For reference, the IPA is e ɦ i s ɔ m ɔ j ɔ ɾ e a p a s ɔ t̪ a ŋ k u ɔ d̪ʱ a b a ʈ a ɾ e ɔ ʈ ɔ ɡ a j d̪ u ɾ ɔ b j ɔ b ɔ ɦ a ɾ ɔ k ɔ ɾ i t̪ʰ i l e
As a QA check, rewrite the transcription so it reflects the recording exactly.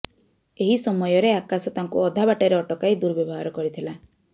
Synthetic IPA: e ɦ i s ɔ m ɔ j ɔ ɾ e a k a s ɔ t̪ a ŋ k u ɔ d̪ʱ a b a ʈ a ɾ e ɔ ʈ ɔ k a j d̪ u ɾ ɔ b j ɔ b ɔ ɦ a ɾ ɔ k ɔ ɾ i t̪ʰ i l a